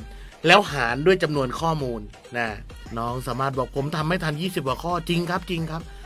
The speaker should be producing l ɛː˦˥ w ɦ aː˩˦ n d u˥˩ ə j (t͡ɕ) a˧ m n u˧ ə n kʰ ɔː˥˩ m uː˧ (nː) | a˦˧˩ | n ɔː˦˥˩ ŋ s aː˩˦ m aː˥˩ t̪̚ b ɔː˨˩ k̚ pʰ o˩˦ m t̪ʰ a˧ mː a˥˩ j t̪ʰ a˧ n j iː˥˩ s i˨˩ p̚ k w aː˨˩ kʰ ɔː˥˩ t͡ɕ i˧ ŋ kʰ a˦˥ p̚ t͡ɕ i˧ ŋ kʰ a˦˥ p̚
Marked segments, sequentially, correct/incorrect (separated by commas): correct, correct